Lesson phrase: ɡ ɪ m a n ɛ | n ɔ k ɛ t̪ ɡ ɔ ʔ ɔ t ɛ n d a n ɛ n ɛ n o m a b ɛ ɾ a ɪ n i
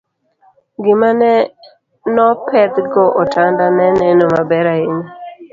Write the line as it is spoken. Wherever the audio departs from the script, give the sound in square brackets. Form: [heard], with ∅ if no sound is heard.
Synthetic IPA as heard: ɡ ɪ m a n ɛ | n ɔ [p] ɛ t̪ ɡ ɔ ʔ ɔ t [a] n d a n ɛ n ɛ n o m a b ɛ ɾ a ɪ n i